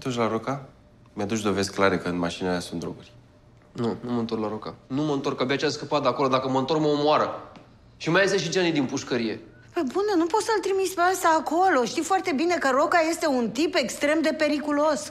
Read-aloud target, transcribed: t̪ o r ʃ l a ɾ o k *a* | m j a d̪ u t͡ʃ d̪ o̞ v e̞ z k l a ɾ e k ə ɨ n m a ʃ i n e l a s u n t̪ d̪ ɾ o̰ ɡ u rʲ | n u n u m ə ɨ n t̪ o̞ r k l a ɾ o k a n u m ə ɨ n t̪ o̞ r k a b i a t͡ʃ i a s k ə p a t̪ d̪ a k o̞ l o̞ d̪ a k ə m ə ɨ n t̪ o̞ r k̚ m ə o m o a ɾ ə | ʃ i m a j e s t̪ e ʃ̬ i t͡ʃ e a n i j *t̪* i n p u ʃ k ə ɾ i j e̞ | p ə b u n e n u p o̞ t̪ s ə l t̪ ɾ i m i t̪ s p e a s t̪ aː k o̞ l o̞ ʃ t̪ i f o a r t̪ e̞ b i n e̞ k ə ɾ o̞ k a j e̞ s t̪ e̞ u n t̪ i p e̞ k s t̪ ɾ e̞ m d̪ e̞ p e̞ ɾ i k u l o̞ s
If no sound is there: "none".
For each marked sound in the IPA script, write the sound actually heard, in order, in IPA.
a, d̪

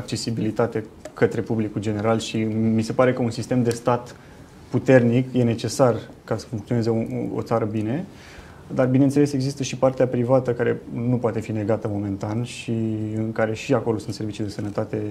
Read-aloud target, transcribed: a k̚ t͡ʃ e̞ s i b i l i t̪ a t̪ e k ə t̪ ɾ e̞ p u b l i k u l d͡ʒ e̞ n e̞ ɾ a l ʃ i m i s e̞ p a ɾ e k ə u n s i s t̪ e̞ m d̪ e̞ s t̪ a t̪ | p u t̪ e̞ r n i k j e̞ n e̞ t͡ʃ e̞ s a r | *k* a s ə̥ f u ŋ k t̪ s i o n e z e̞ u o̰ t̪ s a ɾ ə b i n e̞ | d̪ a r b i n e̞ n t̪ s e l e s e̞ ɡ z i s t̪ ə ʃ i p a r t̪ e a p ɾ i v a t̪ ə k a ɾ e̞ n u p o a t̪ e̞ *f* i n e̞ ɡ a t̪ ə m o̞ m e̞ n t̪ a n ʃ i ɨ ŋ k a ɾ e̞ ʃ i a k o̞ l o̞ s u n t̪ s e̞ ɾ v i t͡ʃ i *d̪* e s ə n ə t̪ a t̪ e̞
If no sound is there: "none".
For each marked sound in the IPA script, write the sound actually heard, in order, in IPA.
k, f, d̪

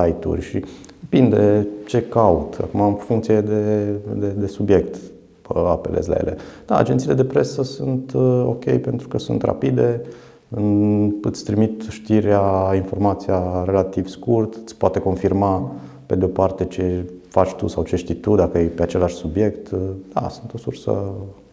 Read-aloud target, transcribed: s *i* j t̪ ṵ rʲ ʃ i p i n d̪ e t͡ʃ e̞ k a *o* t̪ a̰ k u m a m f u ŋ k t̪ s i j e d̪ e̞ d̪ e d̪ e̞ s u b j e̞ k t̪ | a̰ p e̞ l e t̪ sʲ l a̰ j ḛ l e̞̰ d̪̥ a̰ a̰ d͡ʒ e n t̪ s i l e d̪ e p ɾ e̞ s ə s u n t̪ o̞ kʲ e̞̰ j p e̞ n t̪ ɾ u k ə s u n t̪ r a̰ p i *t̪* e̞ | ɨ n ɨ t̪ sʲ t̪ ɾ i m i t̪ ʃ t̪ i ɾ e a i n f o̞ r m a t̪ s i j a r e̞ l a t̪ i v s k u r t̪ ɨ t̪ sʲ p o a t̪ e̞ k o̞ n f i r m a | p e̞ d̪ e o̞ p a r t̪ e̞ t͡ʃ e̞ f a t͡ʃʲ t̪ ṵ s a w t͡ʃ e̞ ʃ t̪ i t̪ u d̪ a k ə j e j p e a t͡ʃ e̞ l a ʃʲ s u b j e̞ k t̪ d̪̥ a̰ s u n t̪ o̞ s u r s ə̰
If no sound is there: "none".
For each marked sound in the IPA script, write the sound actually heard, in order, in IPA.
a, u, d̪

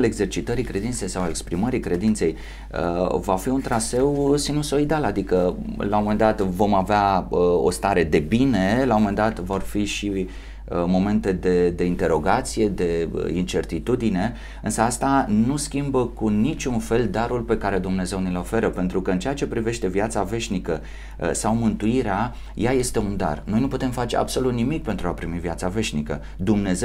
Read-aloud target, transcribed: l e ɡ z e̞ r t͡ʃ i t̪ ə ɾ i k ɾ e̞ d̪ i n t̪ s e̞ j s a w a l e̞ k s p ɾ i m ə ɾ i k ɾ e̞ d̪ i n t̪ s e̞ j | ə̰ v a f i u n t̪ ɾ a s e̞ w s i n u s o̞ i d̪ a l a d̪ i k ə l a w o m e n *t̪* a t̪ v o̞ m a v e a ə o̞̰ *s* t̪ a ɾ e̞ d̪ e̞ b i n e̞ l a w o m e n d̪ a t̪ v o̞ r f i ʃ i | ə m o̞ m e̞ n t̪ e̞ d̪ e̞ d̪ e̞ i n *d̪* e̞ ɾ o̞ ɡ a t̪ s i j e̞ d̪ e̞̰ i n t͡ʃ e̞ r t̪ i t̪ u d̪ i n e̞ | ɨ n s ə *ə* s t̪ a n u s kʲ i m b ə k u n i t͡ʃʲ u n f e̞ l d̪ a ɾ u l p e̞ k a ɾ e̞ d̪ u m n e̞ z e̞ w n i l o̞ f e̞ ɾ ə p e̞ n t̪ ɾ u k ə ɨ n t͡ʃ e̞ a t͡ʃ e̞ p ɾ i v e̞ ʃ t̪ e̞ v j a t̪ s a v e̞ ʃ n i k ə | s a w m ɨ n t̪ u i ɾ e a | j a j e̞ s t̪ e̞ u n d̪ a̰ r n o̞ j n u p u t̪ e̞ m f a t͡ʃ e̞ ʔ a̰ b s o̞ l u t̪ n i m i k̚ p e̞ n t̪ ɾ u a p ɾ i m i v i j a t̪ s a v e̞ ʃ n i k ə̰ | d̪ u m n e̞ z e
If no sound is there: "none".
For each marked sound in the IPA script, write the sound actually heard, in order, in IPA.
d̪, s, t̪, a

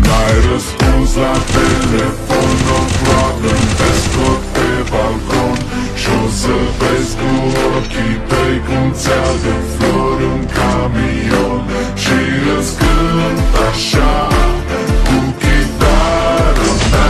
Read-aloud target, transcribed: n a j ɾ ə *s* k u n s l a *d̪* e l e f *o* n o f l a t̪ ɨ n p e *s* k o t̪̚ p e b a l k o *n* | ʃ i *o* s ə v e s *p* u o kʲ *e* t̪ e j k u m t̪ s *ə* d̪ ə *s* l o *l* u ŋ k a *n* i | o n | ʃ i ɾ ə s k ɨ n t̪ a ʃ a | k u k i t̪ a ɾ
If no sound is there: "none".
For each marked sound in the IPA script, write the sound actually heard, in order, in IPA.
s, t̪, o, s, n, o, k, i, a, f, ɾ, m

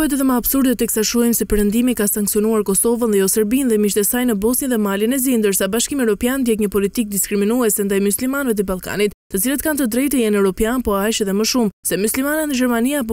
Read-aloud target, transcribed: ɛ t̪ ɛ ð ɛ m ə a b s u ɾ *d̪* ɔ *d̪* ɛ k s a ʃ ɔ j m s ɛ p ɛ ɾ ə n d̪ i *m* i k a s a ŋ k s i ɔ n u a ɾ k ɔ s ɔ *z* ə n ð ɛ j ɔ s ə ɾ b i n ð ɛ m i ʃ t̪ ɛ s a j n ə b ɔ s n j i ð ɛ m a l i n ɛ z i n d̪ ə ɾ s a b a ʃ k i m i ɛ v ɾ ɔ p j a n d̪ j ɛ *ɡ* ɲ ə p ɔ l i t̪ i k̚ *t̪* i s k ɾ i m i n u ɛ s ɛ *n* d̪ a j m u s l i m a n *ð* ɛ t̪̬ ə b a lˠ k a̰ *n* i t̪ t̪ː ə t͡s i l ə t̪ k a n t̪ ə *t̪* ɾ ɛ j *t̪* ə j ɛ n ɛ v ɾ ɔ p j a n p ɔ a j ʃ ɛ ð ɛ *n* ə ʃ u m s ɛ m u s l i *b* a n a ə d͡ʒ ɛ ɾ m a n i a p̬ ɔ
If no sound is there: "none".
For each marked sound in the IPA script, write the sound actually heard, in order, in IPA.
d̪, t̪, m, v, k, d̪, n, v, n, d̪, t̪, m, m

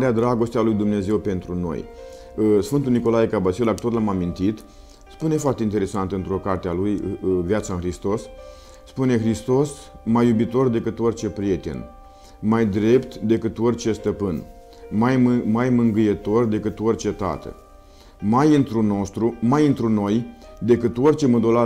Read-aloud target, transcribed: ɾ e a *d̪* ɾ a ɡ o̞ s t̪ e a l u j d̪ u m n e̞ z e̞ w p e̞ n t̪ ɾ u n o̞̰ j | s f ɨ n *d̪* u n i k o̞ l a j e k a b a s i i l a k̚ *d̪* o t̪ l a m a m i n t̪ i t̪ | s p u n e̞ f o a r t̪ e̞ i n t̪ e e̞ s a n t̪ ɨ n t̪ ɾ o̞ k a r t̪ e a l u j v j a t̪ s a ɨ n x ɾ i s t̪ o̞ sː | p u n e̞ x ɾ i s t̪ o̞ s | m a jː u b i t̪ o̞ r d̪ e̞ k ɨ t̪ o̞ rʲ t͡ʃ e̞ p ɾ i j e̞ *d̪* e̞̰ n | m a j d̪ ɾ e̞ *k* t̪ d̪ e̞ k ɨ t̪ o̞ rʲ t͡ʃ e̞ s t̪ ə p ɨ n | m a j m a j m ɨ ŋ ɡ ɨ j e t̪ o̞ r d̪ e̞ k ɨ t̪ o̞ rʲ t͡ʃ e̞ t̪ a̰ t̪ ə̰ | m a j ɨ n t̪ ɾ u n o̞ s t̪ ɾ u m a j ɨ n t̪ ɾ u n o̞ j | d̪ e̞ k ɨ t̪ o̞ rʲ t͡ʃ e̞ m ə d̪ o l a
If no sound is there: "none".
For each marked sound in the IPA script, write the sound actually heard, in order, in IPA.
d̪, t̪, t̪, t̪, p

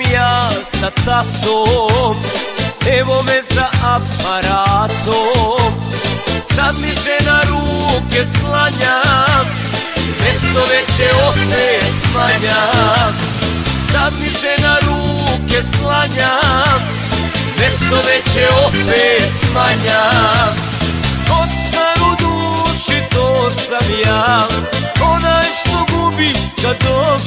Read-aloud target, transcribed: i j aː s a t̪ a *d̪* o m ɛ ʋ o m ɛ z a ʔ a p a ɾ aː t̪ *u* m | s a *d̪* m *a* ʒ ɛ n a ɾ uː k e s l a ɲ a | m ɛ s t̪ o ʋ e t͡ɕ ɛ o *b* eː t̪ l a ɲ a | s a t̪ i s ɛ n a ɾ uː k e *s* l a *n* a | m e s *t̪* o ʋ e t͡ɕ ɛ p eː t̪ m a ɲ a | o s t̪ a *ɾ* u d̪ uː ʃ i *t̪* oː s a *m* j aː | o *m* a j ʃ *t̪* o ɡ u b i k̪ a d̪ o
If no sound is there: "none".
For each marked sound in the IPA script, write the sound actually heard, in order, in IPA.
t̪, o, d̪, i, p, s, ɲ, t̪, ɾ, t̪, m, n, t̪

